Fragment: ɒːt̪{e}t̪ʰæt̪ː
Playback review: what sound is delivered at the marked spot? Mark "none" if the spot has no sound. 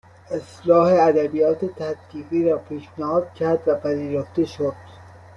e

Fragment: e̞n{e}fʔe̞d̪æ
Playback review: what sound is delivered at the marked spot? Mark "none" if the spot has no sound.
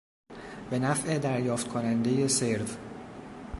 æ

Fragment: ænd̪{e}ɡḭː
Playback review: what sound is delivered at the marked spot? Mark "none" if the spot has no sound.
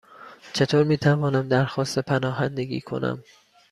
e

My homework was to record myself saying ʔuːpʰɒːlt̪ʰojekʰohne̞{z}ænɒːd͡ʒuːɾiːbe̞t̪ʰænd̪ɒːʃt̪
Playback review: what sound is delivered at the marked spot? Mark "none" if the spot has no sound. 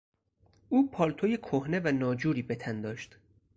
v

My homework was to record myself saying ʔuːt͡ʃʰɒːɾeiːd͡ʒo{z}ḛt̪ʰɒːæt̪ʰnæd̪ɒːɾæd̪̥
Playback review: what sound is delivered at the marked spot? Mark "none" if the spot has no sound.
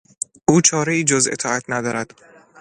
z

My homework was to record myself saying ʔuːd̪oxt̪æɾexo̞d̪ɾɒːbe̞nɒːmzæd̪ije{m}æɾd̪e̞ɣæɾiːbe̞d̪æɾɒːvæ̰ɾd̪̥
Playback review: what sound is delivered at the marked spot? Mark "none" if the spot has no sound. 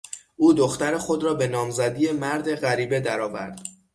m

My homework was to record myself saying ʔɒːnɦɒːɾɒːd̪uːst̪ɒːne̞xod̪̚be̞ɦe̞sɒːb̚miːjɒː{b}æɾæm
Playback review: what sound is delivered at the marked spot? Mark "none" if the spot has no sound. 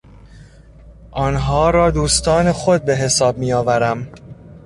v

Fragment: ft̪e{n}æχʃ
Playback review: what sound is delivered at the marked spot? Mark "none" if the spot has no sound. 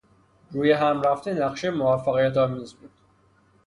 n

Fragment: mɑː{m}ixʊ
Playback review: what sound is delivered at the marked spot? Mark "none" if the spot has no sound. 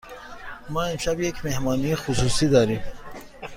n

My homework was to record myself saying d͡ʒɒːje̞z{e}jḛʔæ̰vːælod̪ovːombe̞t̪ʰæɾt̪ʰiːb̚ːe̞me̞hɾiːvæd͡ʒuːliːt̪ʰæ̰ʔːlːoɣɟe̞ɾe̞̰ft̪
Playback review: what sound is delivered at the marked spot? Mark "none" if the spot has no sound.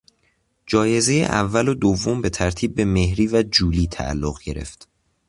e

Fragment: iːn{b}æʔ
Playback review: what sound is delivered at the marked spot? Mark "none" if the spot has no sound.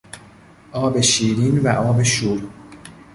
v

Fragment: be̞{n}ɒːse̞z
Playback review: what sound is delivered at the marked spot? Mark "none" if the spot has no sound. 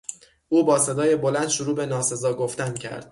n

